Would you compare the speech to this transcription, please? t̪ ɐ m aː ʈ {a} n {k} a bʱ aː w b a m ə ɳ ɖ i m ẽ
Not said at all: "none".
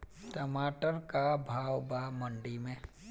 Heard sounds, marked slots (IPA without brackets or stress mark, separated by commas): ə, k